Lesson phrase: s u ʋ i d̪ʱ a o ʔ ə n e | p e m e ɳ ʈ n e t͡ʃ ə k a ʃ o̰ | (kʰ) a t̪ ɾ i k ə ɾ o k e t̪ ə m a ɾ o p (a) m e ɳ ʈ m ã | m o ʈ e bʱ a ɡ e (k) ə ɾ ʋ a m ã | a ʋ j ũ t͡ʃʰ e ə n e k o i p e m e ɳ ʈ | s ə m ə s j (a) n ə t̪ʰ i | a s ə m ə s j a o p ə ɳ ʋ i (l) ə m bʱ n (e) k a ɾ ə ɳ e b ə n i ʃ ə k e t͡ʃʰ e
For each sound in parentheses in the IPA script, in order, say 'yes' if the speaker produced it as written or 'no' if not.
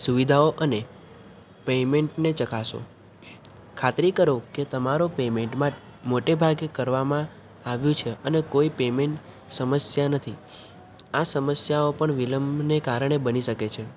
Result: yes, no, yes, yes, yes, yes

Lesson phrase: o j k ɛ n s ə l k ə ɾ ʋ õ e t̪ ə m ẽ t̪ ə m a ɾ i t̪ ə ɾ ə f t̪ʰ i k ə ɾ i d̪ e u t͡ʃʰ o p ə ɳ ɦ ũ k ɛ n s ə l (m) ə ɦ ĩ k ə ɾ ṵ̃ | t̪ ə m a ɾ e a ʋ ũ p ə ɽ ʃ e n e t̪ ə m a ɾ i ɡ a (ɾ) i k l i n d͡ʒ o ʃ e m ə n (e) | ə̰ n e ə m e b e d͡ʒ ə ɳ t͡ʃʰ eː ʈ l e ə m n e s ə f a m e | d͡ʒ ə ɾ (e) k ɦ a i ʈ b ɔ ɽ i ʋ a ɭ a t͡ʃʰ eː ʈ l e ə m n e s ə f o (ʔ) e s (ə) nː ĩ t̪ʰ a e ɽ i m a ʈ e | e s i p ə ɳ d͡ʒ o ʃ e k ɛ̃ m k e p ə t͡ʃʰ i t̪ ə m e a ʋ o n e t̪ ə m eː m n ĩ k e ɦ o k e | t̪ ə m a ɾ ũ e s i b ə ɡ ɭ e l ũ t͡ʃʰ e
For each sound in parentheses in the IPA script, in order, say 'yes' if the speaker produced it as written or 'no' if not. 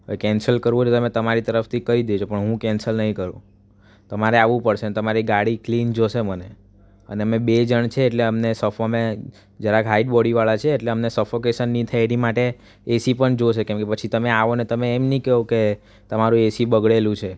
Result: no, no, yes, no, no, yes

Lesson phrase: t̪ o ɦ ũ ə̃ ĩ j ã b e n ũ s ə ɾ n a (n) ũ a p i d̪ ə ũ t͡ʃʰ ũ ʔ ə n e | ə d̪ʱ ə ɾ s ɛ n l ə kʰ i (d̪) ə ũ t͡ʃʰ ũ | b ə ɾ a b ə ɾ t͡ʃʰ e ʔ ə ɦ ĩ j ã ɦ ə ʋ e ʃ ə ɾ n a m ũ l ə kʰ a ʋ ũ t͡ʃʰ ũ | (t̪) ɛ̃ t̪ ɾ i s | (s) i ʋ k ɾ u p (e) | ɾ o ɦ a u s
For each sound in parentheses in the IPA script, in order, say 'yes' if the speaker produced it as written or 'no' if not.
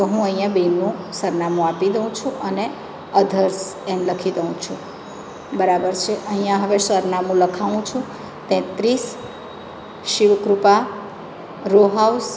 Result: no, yes, yes, no, no

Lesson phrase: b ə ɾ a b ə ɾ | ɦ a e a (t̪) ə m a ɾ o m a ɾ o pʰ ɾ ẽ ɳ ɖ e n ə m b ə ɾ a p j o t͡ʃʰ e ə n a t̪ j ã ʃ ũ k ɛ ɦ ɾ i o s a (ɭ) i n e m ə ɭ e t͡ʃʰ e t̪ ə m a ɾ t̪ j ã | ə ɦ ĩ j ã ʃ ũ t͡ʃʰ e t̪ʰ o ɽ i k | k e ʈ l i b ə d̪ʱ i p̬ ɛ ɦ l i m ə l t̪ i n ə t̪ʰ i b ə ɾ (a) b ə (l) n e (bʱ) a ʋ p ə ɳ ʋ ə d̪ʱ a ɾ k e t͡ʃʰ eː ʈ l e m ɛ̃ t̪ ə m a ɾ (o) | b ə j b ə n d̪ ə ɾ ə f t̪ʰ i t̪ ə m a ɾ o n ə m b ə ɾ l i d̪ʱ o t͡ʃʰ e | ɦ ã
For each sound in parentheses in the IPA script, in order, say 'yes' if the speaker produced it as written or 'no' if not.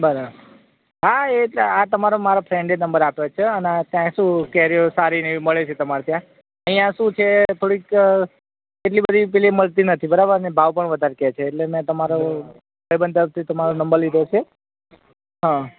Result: yes, no, yes, no, yes, yes

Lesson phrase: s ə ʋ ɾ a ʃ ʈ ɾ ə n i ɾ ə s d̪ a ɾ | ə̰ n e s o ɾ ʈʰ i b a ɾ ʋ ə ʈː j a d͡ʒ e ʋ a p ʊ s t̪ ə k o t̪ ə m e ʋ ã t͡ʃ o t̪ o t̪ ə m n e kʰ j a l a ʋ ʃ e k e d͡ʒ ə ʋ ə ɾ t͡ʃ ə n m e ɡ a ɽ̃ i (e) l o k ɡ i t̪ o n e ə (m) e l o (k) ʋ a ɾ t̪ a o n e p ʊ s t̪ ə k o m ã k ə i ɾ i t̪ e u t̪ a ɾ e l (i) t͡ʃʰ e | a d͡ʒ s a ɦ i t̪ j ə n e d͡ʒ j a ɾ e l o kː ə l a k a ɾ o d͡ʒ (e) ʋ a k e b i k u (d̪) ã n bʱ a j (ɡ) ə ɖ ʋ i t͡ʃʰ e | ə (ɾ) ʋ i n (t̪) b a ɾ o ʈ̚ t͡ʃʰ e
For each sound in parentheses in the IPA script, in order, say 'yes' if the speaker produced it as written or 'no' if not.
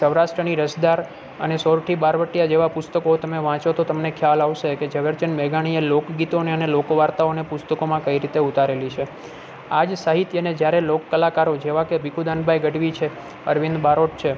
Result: yes, no, yes, yes, yes, yes, yes, yes, no

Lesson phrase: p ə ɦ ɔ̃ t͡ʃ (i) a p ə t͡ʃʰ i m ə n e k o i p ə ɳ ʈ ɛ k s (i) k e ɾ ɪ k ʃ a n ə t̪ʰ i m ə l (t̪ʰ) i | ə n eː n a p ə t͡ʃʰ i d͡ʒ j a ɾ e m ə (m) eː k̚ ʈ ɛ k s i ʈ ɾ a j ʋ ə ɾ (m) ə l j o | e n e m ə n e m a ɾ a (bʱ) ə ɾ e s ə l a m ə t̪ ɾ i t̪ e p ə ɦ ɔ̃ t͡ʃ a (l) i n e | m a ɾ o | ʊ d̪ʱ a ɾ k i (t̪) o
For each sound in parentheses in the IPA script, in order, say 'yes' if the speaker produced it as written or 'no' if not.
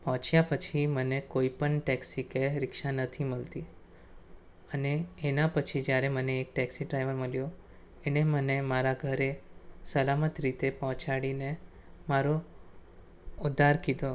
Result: no, yes, no, no, yes, no, no, no

